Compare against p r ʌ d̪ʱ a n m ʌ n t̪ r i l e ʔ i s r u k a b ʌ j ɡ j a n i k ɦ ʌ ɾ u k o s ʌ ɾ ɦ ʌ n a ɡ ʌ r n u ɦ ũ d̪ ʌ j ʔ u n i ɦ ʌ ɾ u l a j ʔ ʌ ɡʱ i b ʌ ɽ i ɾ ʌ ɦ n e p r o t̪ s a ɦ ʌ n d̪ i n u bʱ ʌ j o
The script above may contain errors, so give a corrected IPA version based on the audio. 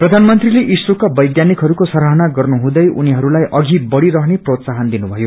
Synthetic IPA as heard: p r ʌ d̪ʱ a n m ʌ n t̪ r i l e ʔ i s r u k a b ʌ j ɡ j a n i k ɦ ʌ ɾ u k o s ʌ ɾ ɦ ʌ n a ɡ ʌ r n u ɦ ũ d̪ ʌ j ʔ u n i ɦ ʌ ɾ u l a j ʔ ʌ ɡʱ i b ʌ ɽ i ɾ ʌ ɦ n e p r o t̪ s a ɦ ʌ n d̪ i n u bʱ ʌ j o